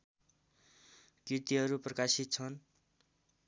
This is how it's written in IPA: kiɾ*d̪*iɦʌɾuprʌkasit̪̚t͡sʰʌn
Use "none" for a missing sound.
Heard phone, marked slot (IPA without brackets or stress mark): t̪